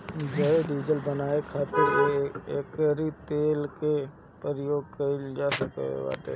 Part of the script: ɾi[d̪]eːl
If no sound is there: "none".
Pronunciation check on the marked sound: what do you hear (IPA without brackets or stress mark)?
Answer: t̪